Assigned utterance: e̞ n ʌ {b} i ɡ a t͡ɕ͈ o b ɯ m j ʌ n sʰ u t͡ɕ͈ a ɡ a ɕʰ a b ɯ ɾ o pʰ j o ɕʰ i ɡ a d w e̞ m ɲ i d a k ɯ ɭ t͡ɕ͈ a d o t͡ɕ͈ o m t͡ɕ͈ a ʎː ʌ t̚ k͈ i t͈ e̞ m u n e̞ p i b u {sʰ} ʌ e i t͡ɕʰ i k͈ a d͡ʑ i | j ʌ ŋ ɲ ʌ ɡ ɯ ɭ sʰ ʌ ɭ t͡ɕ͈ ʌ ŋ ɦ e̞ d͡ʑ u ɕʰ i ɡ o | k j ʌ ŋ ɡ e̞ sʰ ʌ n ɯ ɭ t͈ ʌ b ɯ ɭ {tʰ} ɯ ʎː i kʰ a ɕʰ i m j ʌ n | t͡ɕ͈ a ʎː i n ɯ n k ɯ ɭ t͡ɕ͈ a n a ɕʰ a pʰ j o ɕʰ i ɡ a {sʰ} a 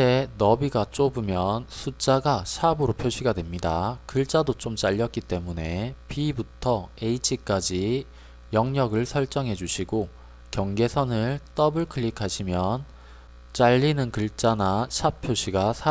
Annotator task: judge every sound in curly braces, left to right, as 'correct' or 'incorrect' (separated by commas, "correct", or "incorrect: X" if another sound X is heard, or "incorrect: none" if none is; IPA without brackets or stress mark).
correct, incorrect: tʰ, incorrect: kʰ, correct